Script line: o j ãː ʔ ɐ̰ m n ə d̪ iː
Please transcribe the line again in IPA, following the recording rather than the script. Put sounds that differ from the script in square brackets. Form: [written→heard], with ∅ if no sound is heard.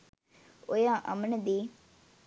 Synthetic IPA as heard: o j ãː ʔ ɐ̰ m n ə d̪ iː